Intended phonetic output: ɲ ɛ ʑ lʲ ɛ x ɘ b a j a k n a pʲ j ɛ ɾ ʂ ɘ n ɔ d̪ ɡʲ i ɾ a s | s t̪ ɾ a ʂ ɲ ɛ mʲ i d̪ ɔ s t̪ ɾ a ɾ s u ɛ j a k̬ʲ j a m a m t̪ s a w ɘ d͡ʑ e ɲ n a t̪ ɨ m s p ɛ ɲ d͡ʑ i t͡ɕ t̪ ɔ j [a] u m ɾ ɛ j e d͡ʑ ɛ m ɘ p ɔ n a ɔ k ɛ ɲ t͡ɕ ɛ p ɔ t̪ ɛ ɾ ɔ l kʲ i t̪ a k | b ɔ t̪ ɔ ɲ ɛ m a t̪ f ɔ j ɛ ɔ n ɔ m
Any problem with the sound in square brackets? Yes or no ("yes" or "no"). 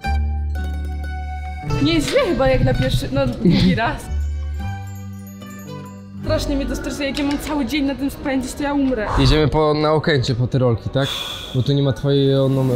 no